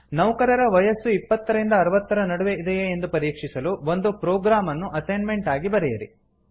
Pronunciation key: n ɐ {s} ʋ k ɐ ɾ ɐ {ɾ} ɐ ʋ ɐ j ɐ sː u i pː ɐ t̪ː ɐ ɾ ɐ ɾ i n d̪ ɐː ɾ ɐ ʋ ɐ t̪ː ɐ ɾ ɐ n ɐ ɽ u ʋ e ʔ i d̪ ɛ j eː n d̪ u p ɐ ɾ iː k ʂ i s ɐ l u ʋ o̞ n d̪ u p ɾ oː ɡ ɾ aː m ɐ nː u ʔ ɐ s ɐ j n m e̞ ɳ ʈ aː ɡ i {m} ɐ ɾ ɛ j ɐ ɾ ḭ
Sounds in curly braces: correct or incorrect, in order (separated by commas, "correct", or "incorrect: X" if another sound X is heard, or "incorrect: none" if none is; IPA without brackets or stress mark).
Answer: incorrect: none, correct, incorrect: b